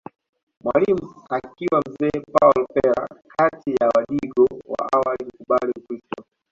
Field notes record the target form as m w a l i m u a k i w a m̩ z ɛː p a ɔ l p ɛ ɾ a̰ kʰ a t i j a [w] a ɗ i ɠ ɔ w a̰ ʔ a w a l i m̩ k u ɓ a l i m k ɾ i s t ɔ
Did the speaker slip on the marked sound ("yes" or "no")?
no